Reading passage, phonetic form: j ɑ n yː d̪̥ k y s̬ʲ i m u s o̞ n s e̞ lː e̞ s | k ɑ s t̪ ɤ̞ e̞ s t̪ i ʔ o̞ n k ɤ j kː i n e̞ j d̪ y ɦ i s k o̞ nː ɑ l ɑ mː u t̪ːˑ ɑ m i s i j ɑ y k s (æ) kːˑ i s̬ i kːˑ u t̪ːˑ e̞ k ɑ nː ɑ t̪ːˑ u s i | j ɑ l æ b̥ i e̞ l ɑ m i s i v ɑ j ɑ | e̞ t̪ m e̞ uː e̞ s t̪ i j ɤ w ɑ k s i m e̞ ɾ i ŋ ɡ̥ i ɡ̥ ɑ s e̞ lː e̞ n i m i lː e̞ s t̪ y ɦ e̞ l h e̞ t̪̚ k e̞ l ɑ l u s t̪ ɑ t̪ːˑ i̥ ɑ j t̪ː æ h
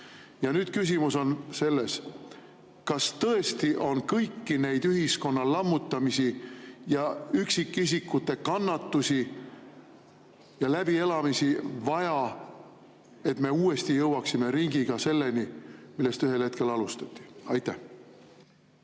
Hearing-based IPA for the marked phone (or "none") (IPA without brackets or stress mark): i